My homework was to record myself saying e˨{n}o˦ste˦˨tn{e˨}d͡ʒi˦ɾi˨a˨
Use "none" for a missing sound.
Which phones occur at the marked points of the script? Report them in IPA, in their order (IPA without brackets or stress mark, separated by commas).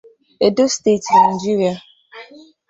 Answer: d, a˨